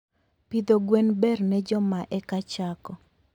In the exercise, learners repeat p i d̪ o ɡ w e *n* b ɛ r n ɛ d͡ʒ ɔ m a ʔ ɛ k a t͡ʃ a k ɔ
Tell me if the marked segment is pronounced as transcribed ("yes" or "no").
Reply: yes